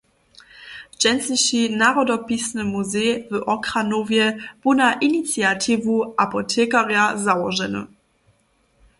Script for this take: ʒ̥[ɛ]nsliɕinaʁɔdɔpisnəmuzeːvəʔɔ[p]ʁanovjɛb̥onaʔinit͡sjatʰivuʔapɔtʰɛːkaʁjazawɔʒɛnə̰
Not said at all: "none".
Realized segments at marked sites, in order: ɛ, k

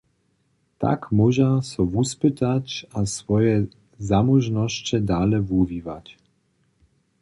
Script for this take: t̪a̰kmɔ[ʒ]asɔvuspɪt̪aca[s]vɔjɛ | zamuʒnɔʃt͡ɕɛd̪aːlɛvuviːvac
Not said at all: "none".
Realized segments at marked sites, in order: ʒ, s

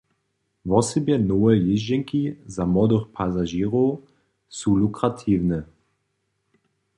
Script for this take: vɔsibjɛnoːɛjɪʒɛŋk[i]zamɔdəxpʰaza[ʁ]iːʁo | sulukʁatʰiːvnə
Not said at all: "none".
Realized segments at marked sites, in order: i, ʒ

